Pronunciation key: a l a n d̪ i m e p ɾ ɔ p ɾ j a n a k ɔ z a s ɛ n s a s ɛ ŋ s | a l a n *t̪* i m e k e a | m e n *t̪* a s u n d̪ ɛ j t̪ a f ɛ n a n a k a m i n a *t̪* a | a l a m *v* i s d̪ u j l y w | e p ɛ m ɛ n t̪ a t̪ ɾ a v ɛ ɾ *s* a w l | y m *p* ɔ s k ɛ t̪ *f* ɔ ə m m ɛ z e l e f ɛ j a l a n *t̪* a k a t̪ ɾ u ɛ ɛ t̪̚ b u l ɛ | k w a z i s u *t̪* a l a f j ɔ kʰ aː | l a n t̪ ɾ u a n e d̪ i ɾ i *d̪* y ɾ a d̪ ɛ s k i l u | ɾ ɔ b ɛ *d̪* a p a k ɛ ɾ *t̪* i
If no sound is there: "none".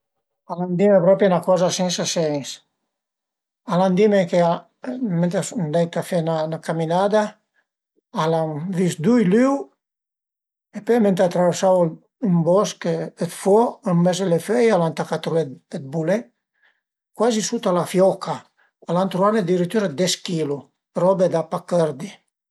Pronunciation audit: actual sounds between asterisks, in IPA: d̪, t̪, d̪, v, s, b, f, t̪, t̪, t̪, d̪, d̪

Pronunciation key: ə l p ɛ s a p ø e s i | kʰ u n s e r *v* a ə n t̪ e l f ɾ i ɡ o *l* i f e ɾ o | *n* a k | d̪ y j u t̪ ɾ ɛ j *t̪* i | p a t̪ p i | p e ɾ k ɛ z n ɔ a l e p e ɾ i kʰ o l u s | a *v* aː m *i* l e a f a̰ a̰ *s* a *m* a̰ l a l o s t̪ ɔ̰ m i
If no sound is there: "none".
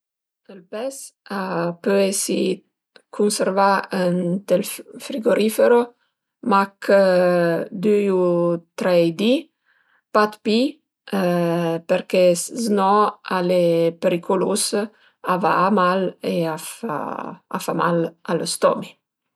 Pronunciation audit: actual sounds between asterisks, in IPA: v, ɾ, m, d̪, v, a, f, m

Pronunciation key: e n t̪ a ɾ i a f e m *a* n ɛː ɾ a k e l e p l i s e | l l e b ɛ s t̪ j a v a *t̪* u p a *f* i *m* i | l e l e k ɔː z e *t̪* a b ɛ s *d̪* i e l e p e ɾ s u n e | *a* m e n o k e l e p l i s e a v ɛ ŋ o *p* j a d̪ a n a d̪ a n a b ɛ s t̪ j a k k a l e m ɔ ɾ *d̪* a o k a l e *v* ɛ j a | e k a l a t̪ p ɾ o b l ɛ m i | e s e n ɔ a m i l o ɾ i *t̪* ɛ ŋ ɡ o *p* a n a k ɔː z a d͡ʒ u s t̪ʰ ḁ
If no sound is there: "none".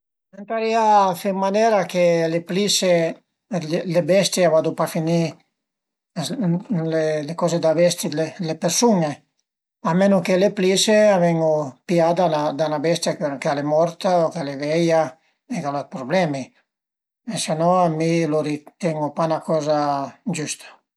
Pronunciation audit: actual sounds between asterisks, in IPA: a, d̪, f, n, d̪, t̪, a, p, t̪, v, t̪, p

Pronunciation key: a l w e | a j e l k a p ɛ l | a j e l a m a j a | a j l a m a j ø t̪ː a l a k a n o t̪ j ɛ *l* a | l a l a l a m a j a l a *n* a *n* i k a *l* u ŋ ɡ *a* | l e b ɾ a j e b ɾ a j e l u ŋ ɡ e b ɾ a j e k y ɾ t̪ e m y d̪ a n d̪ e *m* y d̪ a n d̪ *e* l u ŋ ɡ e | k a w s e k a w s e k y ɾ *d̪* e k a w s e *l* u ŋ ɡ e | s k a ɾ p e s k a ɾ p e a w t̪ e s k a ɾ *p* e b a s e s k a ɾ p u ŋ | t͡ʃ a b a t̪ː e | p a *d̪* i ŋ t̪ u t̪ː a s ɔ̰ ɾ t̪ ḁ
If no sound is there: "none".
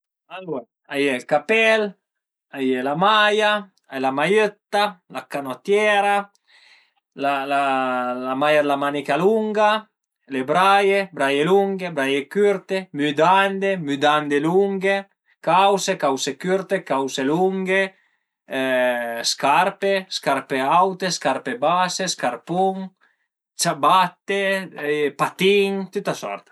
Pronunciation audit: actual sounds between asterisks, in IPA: ɾ, m, n, l, a, m, e, t̪, l, p, t̪

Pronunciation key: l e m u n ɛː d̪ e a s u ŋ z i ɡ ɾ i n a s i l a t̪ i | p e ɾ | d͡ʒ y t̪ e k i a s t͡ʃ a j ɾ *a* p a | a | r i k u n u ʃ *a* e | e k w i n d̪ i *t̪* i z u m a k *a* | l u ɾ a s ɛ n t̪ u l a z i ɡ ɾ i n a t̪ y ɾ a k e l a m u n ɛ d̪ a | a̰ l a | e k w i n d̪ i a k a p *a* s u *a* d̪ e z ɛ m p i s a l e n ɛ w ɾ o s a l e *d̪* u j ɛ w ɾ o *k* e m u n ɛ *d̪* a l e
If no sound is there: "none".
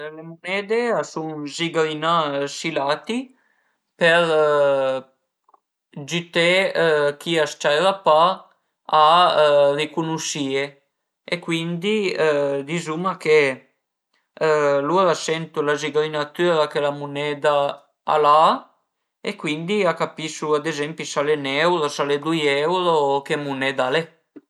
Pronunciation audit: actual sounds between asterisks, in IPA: a, i, d̪, e, i, a, d̪, k, d̪

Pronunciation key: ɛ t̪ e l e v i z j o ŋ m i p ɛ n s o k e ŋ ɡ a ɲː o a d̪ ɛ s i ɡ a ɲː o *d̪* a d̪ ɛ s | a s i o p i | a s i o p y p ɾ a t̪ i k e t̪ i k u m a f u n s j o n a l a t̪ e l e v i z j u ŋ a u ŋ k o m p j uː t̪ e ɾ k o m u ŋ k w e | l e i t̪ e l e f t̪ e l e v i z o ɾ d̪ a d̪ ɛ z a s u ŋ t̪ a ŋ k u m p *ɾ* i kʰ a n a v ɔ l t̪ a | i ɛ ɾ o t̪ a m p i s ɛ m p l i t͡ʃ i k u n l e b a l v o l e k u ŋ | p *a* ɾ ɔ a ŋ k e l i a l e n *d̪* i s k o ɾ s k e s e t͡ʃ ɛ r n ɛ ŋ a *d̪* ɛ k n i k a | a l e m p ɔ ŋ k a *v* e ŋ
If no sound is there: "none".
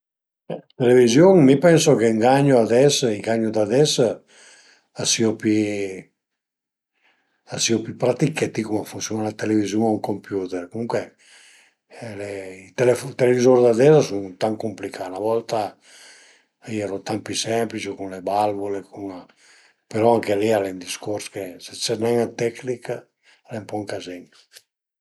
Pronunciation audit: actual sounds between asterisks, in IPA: d̪, l, e, d̪, t̪, z

